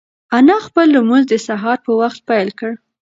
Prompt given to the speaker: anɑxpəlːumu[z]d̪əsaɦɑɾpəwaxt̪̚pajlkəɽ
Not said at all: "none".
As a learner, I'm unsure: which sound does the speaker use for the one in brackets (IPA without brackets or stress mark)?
z